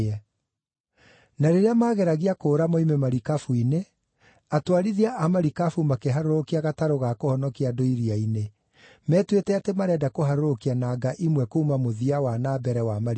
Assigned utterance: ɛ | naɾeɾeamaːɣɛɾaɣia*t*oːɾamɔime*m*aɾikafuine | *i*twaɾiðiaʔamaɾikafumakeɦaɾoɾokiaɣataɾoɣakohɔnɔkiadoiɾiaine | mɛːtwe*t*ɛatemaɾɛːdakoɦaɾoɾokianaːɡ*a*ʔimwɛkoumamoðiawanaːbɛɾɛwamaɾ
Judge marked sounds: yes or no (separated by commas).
no, yes, no, yes, yes